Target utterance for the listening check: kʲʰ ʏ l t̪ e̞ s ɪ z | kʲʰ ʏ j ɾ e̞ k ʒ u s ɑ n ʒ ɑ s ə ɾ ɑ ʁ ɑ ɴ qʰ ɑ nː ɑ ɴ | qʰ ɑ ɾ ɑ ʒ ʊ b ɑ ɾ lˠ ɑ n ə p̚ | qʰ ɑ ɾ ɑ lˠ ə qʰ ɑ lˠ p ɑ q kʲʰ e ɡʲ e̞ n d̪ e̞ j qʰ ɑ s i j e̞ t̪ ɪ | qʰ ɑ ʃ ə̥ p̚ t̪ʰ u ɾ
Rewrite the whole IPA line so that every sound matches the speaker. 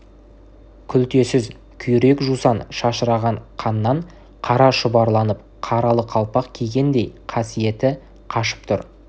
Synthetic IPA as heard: kʲʰ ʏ l t̪ e̞ s ɪ z | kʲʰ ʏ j ɾ e̞ k ʒ u s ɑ n ʃ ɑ ʃ ə ɾ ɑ ʁ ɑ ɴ qʰ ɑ nː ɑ ɴ | qʰ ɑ ɾ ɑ ʃ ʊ b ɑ ɾ lˠ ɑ n ə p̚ | qʰ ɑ ɾ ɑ lˠ ə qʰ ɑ lˠ p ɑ q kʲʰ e ɡʲ e̞ n d̪ e̞ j qʰ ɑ s i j e̞ t̪ ɪ | qʰ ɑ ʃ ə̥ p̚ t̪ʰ ʊ ɾ